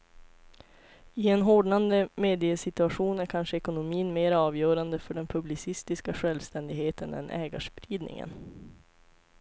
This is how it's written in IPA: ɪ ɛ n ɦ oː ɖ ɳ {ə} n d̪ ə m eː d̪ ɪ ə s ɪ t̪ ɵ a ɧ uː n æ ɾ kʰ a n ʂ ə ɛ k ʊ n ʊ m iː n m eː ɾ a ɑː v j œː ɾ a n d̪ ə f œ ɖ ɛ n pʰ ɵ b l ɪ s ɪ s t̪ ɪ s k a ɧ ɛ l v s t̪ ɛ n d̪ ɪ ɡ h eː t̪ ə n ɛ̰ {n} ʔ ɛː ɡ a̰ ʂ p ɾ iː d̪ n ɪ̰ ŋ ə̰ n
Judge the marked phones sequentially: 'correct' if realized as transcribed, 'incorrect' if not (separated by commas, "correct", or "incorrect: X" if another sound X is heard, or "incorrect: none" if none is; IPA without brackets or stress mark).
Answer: incorrect: a, correct